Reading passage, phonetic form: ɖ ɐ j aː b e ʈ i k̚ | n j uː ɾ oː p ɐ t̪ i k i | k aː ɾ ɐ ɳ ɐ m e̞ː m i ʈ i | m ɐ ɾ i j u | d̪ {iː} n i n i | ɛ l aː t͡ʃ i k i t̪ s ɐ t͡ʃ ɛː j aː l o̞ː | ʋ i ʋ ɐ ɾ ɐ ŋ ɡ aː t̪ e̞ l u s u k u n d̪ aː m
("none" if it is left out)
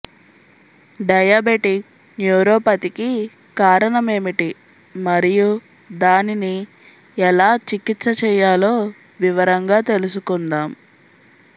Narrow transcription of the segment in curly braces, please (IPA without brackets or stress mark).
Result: aː